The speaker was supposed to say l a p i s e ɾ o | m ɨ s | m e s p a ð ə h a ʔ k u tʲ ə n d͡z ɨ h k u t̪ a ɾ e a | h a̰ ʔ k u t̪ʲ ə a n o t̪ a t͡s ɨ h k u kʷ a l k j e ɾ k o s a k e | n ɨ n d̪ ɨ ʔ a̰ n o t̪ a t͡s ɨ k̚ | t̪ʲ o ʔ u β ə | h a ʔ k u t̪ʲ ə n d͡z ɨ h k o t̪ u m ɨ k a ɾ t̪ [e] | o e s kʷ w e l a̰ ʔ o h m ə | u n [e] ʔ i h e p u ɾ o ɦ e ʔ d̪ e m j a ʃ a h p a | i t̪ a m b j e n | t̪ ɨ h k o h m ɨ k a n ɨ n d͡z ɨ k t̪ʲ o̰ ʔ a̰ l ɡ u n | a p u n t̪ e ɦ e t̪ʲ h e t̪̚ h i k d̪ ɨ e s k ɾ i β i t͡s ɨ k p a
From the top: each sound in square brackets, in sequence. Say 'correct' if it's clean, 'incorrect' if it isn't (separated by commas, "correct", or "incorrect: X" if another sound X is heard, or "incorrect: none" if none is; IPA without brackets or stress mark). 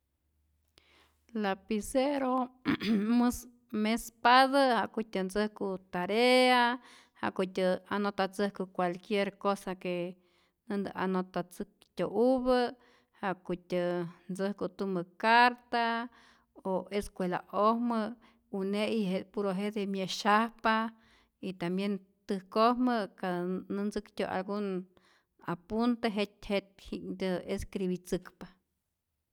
incorrect: a, correct